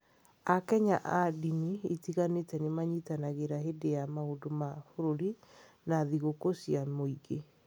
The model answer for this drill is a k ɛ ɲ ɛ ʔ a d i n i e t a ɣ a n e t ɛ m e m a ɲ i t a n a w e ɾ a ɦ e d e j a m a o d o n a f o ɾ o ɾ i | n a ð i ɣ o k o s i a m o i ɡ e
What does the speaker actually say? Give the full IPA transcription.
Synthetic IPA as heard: a k ɛ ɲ a ʔ a d i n i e t i ɣ a n e t ɛ n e m a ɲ i t a n a ɣ e ɾ a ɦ e d e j a m a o d o m a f o ɾ o ɾ i | n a ð i ɣ o k o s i a m o i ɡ e